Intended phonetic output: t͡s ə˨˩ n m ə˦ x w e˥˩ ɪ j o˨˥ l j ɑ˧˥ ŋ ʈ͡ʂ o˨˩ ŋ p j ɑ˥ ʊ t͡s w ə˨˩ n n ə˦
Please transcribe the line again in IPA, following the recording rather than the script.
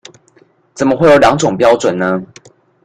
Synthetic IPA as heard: t͡s ə˨˩ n m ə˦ x w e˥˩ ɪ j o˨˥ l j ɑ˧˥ ŋ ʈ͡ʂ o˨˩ ŋ p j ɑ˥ ʊ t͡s w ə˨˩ n n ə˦

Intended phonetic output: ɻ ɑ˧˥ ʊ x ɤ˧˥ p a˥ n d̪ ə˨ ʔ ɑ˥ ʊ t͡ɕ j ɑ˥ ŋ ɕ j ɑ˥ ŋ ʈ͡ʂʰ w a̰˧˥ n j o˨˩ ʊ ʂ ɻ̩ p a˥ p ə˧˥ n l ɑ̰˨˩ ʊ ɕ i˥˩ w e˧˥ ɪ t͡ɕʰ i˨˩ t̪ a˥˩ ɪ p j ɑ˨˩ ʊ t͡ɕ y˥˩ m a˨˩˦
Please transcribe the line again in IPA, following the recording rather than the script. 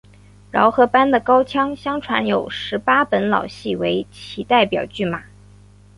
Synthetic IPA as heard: ɻ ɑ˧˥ ʊ x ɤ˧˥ p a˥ n d̪ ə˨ k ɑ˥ ʊ t͡ɕʰ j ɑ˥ ŋ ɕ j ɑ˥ ŋ ʈ͡ʂʰ w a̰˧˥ n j o˨˩ ʊ ʂ ɻ̩ p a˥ p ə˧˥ n l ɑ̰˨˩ ʊ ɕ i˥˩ w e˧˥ ɪ t͡ɕʰ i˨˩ t̪ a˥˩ ɪ p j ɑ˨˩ ʊ t͡ɕ y˥˩ m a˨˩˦

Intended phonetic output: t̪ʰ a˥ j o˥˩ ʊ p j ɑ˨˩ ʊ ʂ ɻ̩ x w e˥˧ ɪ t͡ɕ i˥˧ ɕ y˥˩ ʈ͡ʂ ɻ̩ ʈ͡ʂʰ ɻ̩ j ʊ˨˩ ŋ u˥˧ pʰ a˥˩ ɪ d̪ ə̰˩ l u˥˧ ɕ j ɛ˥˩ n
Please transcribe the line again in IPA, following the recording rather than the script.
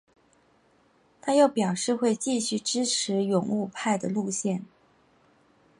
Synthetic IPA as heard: t̪ʰ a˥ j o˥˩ ʊ p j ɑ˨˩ ʊ ʂ ɻ̩ x w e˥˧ ɪ t͡ɕ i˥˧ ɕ y˥˩ ʈ͡ʂ ɻ̩ ʈ͡ʂʰ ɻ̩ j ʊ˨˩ ŋ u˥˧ pʰ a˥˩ ɪ d̪ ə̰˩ l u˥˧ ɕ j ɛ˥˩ n

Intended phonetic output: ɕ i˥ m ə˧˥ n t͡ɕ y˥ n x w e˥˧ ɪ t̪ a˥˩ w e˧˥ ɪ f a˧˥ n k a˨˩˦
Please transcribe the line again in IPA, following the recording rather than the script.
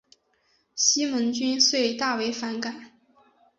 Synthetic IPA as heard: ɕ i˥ m ə˧˥ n t͡ɕ y˥ n s w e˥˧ ɪ t̪ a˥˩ w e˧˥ ɪ f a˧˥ n k a˨˩˦

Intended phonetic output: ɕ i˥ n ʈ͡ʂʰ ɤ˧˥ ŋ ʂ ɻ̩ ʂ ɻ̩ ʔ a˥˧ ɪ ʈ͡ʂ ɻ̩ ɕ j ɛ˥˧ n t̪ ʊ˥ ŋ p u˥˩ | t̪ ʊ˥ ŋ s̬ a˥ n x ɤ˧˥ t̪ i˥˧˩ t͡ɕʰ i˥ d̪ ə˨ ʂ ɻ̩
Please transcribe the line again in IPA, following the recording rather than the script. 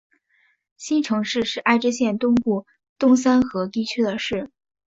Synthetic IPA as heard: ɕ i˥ n ʈ͡ʂʰ ɤ˧˥ ŋ ʂ ɻ̩ ʂ ɻ̩ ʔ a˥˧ ɪ ʈ͡ʂ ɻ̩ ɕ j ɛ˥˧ n t̪ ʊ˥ ŋ p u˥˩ | t̪ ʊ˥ ŋ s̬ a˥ n x ɤ˧˥ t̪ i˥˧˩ t͡ɕʰ y˥ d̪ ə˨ ʂ ɻ̩

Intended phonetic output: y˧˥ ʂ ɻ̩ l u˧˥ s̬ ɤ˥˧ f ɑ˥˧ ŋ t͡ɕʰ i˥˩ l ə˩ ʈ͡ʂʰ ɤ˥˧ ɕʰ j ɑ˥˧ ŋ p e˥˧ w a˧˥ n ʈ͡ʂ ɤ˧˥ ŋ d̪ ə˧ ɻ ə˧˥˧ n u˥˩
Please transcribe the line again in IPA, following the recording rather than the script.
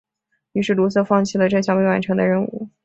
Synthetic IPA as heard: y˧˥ ʂ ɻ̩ l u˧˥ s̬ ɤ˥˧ f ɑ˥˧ ŋ t͡ɕʰ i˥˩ l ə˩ ʈ͡ʂ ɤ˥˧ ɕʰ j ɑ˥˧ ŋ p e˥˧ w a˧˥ n ʈ͡ʂʰ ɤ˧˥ ŋ d̪ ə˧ ɻ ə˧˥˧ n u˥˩

